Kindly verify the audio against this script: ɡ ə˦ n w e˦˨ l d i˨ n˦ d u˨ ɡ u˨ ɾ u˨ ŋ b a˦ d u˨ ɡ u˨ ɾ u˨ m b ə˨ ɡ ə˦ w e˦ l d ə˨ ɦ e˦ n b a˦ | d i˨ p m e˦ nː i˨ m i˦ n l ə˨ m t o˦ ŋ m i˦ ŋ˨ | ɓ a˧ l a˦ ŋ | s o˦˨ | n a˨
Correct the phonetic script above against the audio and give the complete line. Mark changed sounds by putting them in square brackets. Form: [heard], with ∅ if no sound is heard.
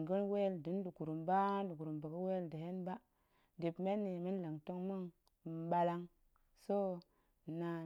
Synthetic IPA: ɡ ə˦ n w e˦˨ l d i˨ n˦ d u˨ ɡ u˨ ɾ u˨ [m] b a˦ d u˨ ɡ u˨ ɾ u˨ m b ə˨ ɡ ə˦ w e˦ l d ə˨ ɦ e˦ n b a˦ | d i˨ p m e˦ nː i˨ m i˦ n l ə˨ [ŋ] t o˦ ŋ m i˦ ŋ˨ | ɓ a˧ l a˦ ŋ | s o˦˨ | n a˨